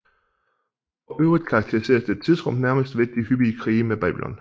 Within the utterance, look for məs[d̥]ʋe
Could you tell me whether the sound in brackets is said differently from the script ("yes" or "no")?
no